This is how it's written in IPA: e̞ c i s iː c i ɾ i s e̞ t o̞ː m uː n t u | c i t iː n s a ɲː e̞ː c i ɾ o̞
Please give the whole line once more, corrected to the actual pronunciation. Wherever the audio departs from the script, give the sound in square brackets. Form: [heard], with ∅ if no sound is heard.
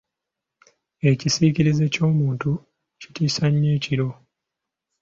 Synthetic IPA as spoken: e̞ c i s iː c i ɾ i [z] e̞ [c] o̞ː m uː n t u | c i t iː [∅] s a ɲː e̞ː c i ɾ o̞